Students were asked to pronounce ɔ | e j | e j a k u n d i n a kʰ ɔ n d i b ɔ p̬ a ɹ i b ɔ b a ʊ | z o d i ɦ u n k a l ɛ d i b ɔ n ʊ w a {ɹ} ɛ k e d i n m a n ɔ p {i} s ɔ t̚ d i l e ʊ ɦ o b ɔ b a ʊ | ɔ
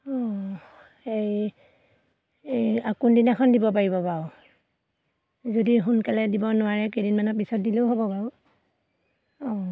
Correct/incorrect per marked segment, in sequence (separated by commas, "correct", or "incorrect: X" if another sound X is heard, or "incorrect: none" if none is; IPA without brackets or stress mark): correct, correct